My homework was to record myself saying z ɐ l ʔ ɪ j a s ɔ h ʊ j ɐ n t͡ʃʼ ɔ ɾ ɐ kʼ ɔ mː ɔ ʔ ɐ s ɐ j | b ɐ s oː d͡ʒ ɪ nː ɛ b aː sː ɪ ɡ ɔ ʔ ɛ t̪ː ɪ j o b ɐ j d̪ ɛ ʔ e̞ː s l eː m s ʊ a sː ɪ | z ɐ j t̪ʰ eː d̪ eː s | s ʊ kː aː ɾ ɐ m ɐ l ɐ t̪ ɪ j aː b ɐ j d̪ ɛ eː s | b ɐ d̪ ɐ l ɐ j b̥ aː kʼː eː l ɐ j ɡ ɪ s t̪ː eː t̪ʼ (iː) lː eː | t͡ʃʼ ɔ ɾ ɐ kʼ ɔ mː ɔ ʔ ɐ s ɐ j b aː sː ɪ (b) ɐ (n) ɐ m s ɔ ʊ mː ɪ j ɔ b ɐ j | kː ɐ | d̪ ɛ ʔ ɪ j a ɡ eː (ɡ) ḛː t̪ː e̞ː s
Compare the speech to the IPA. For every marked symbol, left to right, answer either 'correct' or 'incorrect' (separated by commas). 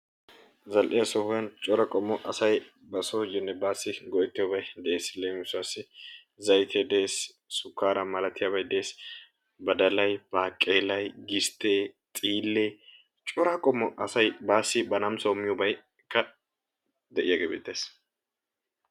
correct, correct, correct, incorrect